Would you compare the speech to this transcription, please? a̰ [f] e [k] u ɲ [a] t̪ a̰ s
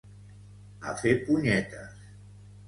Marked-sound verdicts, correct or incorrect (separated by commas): correct, incorrect, incorrect